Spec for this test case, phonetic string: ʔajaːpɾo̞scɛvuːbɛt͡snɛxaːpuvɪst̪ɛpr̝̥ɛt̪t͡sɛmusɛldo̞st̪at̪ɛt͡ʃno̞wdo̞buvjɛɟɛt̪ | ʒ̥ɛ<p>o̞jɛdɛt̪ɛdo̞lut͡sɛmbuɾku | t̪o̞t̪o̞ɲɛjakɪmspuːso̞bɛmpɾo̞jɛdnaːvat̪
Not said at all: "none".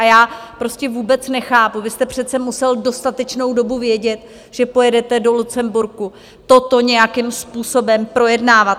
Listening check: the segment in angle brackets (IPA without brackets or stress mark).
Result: p